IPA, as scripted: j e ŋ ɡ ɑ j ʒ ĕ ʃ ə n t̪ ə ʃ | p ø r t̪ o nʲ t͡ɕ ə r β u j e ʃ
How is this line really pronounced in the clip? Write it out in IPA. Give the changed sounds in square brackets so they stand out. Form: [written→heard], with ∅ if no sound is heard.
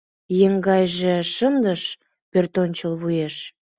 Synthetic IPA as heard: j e ŋ ɡ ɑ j ʒ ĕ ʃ ə n [t̪→d̪] ə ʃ | p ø r t̪ o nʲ t͡ɕ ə [r→l] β u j e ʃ